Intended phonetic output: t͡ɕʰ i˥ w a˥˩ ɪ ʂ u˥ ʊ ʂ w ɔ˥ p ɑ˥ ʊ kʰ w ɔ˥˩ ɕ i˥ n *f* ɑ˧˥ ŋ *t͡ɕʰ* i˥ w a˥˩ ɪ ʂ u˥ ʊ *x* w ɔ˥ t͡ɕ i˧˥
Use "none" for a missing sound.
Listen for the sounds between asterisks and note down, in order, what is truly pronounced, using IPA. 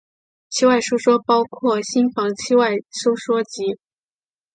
f, t͡ɕʰ, ʂ

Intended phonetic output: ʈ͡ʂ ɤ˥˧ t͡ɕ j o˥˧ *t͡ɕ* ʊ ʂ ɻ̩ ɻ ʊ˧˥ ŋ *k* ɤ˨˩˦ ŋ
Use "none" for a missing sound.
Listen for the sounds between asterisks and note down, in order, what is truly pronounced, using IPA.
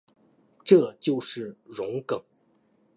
none, k

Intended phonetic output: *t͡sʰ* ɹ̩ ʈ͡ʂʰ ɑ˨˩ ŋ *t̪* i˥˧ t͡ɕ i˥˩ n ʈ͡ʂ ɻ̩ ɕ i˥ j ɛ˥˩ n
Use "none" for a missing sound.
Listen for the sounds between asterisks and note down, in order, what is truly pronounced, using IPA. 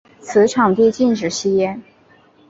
t͡sʰ, t̪

